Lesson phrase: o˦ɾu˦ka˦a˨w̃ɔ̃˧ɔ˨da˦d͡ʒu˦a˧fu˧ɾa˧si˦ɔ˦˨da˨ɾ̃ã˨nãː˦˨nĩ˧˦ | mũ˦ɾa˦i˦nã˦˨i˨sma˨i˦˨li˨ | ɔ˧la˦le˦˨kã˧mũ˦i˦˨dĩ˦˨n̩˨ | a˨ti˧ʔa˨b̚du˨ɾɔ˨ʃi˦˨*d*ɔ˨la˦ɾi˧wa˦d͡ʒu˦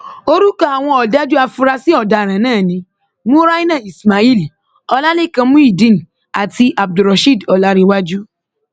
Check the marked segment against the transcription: correct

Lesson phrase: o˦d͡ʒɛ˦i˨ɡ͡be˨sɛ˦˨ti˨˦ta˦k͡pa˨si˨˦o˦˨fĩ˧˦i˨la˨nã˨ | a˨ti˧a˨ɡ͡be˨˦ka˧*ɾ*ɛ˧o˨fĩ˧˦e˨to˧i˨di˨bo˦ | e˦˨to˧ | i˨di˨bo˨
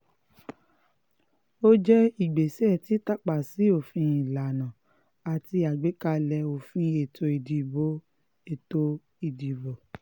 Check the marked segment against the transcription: incorrect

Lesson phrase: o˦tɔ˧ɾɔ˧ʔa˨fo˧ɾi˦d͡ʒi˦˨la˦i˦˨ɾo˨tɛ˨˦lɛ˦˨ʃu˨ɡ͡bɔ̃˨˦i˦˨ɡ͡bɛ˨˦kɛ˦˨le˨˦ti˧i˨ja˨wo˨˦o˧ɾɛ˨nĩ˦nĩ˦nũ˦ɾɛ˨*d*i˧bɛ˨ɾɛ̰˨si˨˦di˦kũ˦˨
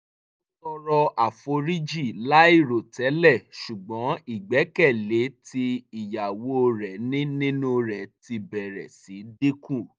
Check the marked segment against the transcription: incorrect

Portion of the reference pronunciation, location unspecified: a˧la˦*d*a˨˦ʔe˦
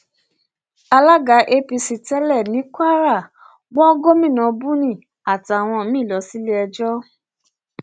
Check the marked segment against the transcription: incorrect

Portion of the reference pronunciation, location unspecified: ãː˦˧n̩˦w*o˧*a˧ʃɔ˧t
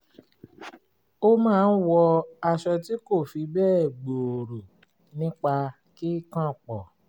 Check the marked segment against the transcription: incorrect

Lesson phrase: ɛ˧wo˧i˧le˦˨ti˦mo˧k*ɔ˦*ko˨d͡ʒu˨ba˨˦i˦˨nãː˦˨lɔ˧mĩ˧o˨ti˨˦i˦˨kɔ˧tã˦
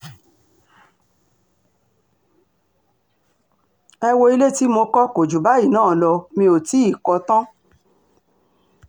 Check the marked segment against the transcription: correct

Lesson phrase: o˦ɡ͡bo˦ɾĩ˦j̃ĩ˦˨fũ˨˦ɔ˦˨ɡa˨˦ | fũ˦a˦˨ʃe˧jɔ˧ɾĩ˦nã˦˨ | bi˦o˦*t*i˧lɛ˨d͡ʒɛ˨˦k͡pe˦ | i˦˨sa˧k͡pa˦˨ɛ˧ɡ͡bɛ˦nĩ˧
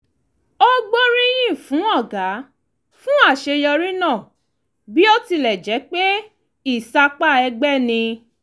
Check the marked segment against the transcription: correct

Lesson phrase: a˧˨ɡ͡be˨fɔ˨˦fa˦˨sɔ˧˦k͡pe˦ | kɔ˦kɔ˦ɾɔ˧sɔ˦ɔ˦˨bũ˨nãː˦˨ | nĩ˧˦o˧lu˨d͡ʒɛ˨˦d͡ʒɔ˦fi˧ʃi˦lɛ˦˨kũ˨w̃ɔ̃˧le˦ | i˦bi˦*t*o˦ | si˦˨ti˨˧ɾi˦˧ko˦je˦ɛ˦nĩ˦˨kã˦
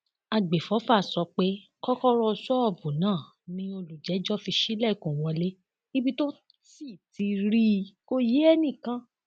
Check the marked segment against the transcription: correct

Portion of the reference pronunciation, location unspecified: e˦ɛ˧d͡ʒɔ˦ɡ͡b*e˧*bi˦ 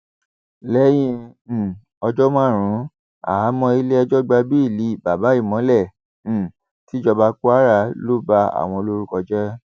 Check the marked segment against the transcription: incorrect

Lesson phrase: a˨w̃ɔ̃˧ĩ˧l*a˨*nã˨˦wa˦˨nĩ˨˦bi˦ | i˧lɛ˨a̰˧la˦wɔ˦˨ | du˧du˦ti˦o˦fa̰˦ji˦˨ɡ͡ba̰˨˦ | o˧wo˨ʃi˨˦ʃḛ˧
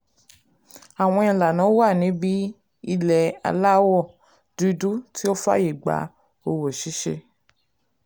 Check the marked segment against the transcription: correct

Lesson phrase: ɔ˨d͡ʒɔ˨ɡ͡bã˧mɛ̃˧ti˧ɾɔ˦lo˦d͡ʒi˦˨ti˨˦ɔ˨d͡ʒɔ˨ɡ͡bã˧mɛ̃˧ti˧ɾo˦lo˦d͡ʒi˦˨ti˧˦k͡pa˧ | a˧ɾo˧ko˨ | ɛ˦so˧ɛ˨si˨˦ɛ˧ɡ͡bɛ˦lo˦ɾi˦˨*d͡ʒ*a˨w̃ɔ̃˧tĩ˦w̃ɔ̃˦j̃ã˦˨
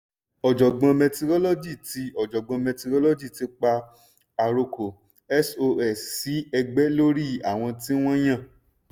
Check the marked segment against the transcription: incorrect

